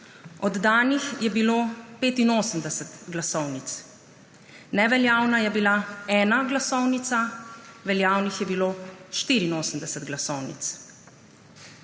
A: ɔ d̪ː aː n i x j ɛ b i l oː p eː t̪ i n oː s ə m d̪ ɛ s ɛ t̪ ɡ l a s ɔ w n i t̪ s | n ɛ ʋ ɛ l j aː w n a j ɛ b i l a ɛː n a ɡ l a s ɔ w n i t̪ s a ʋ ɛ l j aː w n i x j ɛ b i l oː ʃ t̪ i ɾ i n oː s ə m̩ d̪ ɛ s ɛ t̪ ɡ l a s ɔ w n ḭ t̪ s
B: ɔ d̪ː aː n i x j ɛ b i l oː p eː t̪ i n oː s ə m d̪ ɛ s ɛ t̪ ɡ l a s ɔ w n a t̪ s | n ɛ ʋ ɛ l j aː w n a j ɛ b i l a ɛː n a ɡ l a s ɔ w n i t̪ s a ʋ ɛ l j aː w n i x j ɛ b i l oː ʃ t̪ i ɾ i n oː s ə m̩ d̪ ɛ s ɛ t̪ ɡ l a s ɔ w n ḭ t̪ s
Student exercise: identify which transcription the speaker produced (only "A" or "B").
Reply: A